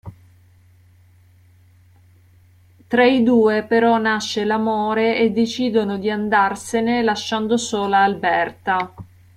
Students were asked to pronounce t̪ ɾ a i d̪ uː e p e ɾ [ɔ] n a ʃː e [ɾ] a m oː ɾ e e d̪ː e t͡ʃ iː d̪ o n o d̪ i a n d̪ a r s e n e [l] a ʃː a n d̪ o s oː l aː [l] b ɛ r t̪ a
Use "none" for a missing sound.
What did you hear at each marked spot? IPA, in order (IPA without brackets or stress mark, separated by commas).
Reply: ɔ, l, l, l